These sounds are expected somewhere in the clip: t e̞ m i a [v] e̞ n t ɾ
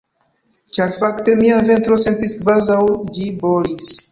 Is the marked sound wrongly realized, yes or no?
no